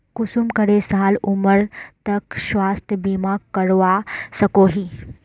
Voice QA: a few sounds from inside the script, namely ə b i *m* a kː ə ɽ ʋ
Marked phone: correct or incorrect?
correct